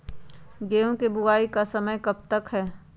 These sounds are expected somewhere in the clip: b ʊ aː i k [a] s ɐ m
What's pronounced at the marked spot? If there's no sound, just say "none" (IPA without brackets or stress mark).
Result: a